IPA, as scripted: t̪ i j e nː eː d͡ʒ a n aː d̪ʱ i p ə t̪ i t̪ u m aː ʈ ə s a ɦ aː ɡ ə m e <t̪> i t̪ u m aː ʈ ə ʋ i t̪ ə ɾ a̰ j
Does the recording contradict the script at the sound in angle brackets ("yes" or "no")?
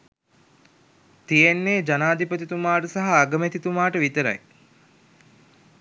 no